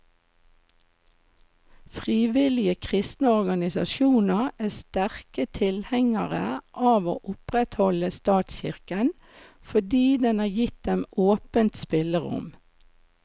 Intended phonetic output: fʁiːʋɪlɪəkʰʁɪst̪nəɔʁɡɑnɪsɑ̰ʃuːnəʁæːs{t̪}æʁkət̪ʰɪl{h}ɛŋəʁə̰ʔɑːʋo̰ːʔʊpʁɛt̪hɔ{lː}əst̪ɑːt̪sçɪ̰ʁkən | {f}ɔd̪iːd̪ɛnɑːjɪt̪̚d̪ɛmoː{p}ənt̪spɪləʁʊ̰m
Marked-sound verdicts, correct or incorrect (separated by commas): correct, correct, incorrect, correct, correct